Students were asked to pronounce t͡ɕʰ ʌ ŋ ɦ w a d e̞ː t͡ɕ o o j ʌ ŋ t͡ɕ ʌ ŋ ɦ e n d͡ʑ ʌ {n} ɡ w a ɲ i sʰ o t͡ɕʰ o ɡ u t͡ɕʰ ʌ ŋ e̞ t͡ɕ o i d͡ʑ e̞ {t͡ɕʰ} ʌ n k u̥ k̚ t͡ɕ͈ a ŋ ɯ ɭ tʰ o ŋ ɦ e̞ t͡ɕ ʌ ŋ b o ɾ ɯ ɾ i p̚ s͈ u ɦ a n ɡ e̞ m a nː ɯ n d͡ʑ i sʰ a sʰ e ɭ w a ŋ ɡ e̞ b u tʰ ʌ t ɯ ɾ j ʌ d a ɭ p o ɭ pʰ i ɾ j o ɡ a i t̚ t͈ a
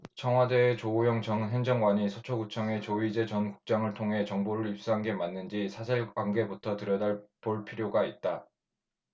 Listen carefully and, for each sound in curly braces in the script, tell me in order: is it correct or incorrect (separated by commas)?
incorrect, incorrect